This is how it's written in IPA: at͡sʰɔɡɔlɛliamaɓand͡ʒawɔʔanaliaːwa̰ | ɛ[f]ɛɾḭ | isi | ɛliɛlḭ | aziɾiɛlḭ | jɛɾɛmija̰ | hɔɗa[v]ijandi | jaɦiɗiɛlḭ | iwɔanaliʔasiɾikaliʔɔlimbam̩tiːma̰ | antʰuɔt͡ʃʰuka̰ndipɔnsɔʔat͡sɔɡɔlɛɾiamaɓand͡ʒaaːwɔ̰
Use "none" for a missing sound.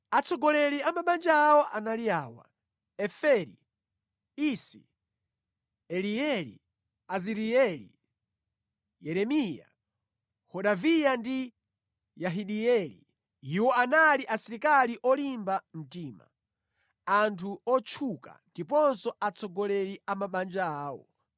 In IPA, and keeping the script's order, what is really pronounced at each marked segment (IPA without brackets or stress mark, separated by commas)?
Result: f, v